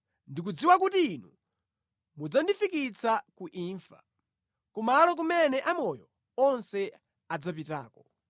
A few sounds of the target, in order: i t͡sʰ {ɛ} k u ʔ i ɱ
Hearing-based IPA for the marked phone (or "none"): a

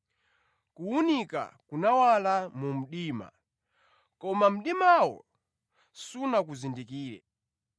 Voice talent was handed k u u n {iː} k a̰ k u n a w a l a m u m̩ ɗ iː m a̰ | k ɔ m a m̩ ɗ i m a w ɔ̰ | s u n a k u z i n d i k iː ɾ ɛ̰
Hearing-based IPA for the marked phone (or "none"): i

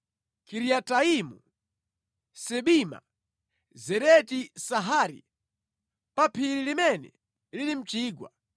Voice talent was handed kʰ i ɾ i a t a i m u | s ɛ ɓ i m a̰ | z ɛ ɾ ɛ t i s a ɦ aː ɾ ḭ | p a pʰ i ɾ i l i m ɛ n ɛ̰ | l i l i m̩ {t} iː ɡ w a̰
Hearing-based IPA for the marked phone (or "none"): t͡ʃ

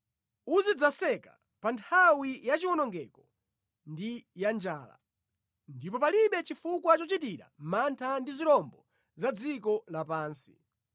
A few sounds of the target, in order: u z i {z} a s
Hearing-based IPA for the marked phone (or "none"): d͡z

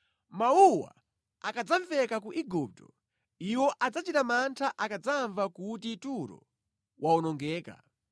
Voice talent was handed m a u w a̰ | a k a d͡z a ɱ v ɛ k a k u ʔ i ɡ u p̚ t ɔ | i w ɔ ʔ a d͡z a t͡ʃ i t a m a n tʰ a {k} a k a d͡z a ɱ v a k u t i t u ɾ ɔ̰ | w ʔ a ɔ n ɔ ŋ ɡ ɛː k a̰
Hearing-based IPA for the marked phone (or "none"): ʔ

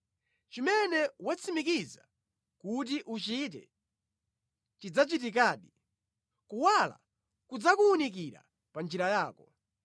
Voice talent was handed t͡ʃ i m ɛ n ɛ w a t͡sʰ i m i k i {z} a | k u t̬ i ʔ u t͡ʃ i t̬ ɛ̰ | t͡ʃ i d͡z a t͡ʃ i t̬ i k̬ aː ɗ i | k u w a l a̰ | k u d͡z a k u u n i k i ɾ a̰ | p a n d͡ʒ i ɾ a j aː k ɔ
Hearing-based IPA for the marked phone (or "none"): z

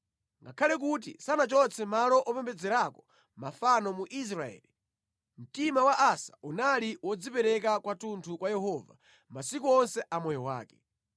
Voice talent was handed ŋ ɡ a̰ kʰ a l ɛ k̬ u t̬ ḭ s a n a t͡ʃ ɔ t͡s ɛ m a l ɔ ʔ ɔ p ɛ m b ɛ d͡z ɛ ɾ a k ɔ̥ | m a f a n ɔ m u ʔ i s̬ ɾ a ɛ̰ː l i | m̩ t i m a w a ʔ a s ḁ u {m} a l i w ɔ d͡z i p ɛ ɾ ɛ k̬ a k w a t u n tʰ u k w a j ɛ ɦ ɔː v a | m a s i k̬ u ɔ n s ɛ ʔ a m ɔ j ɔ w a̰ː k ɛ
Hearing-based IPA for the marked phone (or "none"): n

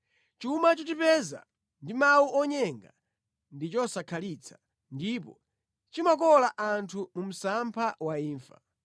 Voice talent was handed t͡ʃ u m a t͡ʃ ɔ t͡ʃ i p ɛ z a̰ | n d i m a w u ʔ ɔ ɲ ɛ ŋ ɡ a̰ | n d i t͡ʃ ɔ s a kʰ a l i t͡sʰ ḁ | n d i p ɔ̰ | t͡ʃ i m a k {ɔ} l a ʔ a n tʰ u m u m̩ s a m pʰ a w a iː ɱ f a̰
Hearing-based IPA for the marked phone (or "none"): ɔ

